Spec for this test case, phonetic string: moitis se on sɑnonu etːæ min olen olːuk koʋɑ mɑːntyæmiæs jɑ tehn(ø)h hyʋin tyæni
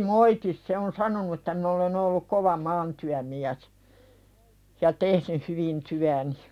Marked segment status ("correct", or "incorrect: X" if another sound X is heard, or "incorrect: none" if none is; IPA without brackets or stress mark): incorrect: y